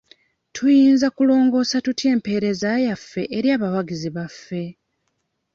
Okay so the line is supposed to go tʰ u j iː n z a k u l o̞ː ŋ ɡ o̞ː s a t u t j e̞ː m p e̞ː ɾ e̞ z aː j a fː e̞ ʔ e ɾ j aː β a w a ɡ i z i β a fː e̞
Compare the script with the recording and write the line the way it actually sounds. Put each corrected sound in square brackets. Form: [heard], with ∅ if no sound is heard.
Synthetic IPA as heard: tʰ u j iː n z a k u l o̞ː ŋ ɡ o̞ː s a t u t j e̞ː m p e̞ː ɾ e̞ z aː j a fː e̞ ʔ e ɾ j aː β a w a ɡ i z i β a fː e̞